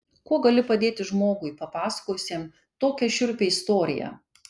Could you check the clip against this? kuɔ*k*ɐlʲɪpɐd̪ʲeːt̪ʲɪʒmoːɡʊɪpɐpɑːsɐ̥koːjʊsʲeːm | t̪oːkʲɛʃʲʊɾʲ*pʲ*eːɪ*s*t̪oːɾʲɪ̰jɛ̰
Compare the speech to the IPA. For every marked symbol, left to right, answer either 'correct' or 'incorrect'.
incorrect: ɡ, correct, correct

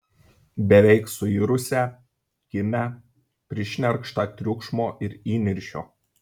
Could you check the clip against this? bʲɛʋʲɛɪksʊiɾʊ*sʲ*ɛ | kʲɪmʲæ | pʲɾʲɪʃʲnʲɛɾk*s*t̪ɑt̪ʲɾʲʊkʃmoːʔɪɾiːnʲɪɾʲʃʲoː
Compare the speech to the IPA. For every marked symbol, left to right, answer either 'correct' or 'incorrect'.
correct, incorrect: ʃ

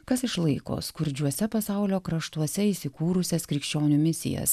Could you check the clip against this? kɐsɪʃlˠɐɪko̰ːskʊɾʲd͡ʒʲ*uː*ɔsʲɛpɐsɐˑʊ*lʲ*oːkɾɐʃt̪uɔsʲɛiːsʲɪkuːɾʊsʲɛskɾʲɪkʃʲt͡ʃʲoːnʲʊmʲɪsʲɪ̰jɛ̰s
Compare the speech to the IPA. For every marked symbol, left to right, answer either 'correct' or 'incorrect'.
incorrect: u, correct

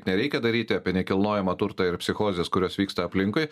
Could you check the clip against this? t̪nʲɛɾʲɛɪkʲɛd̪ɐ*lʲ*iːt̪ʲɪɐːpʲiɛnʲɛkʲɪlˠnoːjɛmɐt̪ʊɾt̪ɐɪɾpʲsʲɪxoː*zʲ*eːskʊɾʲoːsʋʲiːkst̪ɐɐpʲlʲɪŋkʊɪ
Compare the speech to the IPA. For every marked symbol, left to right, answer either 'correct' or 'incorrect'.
incorrect: ɾʲ, correct

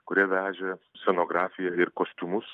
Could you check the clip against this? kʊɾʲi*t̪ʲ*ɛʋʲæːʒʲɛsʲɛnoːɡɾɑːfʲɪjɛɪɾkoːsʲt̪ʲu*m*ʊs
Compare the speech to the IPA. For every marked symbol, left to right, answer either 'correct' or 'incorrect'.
incorrect: none, correct

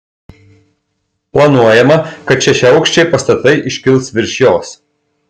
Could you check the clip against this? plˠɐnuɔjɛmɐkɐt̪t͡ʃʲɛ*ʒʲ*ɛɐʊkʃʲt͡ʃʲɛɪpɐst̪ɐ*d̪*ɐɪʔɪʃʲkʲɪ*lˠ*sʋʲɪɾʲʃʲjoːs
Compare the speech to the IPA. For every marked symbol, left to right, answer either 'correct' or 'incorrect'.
incorrect: ʃʲ, incorrect: t̪, correct

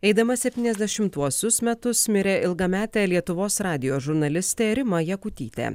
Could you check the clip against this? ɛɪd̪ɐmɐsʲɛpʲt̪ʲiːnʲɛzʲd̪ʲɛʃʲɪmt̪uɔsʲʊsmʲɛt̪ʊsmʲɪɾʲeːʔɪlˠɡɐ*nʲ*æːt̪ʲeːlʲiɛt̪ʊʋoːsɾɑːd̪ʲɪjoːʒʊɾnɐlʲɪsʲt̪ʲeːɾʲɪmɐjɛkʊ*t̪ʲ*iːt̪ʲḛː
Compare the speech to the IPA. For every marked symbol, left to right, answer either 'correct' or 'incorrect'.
incorrect: mʲ, correct

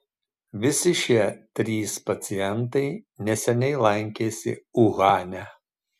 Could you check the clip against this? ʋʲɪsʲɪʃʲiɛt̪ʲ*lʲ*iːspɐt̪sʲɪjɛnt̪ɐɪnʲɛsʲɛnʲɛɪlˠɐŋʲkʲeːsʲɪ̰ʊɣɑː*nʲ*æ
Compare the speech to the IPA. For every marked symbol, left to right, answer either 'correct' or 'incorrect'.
incorrect: ɾʲ, correct

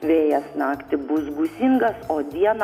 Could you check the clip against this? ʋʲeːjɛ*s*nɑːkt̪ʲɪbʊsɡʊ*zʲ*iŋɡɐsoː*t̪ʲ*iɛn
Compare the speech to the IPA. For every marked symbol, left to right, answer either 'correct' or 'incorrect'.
correct, incorrect: sʲ, incorrect: d̪ʲ

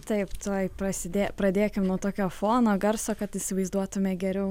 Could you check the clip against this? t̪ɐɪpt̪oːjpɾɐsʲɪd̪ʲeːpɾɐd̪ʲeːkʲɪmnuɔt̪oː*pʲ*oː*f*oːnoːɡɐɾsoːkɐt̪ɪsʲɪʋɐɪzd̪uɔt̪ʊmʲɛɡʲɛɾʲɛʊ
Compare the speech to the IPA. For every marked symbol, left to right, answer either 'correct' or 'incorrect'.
incorrect: kʲ, correct

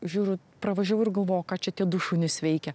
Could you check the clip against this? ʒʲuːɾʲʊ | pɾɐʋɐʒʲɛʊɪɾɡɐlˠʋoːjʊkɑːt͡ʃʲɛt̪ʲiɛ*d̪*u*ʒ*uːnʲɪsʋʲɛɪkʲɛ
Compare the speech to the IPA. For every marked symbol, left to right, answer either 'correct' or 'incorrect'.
correct, incorrect: ʃ

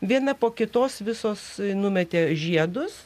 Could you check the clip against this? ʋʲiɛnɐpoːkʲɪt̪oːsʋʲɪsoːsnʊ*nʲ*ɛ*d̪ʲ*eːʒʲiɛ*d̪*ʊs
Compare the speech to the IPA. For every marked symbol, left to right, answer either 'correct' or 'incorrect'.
incorrect: mʲ, incorrect: t̪ʲ, correct

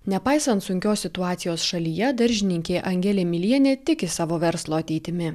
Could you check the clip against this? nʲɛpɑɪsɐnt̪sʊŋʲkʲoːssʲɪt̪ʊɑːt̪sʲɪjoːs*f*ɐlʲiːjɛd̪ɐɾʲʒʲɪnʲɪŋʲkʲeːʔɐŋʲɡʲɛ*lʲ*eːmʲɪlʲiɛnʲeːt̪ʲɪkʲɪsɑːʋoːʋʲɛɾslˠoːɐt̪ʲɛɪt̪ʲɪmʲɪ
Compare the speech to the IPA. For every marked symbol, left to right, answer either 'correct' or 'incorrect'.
incorrect: ʃ, correct

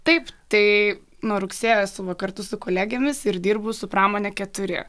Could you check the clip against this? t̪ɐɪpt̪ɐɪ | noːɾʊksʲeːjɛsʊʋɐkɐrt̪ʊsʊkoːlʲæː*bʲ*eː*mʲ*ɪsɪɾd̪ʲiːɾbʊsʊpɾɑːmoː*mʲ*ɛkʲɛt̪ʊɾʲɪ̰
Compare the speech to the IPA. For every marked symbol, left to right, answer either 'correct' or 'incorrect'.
incorrect: ɡʲ, correct, incorrect: nʲ

